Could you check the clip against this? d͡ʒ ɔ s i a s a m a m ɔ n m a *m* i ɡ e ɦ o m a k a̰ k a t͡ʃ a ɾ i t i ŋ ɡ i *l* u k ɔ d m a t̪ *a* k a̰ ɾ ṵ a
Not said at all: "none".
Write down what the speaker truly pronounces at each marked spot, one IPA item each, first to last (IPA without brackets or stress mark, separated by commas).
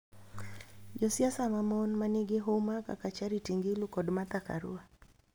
n, l, a